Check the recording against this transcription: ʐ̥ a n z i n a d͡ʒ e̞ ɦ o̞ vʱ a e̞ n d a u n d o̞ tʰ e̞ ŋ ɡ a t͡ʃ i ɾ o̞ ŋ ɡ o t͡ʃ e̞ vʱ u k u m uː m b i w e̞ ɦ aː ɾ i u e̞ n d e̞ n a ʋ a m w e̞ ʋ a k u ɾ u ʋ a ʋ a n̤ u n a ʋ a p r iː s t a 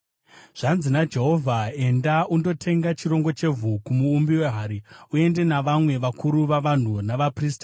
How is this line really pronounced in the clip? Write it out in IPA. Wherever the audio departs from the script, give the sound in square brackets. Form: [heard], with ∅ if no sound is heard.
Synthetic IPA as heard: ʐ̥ a n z i n a d͡ʒ e̞ ɦ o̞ vʱ a e̞ n d a u n d o̞ tʰ e̞ ŋ ɡ a t͡ʃ i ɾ o̞ ŋ ɡ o t͡ʃ e̞ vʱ u k u m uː m b i w e̞ ɦ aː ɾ i u e̞ n d e̞ n a ʋ a m w e̞ ʋ a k u ɾ u ʋ a ʋ a n̤ u n a ʋ a p r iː s t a